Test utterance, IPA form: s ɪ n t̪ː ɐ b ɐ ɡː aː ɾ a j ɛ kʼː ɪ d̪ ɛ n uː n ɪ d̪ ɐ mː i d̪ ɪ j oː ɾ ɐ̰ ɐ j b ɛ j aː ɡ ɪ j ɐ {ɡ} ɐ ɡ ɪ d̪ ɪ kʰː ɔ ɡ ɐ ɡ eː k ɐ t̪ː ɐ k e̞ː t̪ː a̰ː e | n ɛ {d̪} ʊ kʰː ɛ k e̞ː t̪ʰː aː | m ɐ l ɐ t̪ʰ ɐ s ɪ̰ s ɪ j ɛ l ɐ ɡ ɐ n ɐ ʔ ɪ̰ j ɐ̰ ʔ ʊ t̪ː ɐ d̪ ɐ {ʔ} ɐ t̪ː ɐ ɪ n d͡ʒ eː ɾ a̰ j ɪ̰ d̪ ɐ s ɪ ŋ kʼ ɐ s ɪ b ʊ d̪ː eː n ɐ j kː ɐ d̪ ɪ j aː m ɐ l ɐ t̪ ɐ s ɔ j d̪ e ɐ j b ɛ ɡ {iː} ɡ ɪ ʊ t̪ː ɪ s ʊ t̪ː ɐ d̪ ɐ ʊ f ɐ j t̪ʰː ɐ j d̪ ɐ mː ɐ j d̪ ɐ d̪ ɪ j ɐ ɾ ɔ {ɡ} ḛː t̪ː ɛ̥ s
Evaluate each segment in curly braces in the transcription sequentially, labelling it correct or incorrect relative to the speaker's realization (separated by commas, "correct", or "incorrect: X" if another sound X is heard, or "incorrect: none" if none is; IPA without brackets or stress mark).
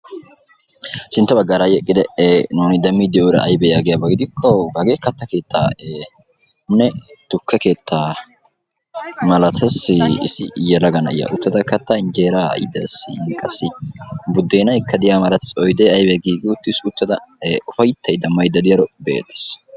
incorrect: b, incorrect: t̪, incorrect: k, correct, incorrect: b